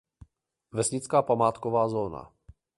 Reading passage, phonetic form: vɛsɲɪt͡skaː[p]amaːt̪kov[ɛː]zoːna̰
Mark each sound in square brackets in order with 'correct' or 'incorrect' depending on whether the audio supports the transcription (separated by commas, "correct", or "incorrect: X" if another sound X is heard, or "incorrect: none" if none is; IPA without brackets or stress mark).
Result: correct, incorrect: aː